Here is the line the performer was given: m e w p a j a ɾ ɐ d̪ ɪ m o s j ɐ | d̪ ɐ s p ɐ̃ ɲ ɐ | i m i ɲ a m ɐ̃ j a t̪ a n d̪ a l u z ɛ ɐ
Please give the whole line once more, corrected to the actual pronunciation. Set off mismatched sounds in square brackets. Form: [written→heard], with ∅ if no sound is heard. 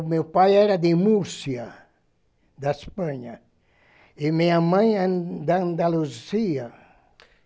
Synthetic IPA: m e w p a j [a→ɛ] ɾ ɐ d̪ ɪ m [o→u] s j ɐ | d̪ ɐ s p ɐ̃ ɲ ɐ | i m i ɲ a m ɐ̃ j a [t̪→d̪] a n d̪ a l u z [ɛ→i] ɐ